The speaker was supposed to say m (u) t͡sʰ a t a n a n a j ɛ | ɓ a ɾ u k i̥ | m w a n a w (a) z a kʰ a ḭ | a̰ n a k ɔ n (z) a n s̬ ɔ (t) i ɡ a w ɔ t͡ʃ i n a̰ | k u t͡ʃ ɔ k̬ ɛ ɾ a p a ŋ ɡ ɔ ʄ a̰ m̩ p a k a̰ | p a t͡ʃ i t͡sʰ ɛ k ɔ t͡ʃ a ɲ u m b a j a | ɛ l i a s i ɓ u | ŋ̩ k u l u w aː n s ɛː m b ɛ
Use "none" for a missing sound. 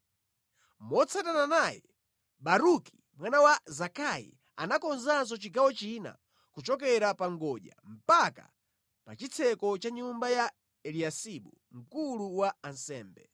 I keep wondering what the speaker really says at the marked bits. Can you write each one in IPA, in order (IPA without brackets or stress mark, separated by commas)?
ɔ, a, z, t͡ʃ